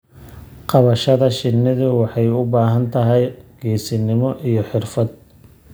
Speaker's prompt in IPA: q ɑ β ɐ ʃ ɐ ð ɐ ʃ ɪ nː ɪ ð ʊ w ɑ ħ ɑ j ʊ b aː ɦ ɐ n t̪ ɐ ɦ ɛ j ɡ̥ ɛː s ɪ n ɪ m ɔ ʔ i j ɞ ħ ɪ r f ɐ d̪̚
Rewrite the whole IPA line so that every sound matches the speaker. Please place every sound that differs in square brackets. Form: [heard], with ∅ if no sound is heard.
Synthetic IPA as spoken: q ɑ β ɐ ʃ ɐ ð ɐ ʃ ɪ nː ɪ ð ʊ w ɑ ħ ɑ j ʊ b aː ɦ ɐ n [t̪ʰ] ɐ ɦ ɛ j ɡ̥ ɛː s ɪ n ɪ m ɔ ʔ i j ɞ ħ ɪ r f ɐ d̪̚